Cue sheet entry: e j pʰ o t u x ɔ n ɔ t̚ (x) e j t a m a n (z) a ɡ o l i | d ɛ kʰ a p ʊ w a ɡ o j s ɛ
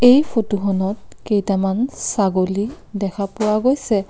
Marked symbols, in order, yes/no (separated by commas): no, no